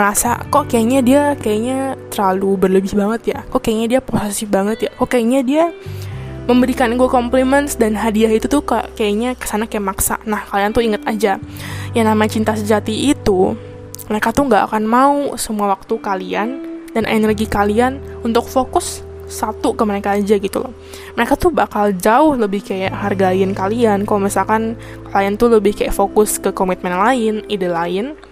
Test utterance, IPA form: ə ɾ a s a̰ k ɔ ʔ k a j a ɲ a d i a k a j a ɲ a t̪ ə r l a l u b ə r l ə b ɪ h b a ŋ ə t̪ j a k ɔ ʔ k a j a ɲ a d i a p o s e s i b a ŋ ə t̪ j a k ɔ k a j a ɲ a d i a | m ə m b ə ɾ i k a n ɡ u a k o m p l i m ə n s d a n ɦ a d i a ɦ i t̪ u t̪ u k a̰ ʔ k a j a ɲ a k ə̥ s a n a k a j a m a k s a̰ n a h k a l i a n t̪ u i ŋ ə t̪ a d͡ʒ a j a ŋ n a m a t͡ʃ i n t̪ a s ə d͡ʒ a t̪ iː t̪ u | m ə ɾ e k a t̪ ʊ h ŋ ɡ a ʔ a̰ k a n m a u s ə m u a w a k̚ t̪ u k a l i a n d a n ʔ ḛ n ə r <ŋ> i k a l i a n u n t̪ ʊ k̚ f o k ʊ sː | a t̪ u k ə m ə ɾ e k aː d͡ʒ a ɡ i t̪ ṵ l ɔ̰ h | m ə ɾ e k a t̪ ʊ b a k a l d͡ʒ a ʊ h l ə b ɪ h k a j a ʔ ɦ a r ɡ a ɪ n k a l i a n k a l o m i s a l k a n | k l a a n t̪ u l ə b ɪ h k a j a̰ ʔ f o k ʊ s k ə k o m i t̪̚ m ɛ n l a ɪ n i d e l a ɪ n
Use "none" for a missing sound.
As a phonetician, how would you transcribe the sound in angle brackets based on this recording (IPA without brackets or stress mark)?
ɡ